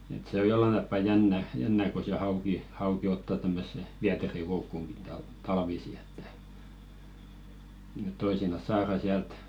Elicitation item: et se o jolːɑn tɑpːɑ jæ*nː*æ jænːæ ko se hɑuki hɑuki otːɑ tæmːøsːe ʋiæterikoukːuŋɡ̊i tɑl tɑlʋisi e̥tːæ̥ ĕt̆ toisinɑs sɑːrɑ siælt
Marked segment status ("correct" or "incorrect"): correct